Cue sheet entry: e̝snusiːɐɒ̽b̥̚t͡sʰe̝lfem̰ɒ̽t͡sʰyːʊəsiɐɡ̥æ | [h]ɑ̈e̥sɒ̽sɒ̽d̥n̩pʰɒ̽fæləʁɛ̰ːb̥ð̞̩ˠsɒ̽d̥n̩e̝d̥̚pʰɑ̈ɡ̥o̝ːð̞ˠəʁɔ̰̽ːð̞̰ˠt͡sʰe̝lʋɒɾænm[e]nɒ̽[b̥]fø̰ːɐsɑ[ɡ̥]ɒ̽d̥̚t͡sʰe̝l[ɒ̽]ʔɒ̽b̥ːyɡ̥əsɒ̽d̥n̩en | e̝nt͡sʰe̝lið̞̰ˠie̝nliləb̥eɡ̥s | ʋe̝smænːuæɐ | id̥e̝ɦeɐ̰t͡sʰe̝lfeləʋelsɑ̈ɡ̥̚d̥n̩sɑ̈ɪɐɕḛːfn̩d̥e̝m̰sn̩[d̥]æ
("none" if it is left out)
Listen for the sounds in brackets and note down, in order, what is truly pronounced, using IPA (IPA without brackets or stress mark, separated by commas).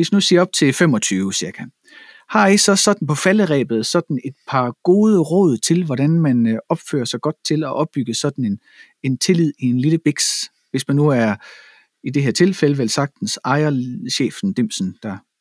h, æ, b̥, ɡ̥, ɒ̽, d̥